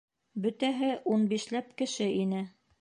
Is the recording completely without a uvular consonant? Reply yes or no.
yes